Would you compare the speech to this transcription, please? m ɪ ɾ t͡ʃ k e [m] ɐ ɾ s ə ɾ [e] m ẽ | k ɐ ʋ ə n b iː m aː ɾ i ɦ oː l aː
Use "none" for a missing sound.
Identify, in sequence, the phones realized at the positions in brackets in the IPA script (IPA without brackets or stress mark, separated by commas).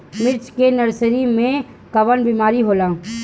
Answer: n, i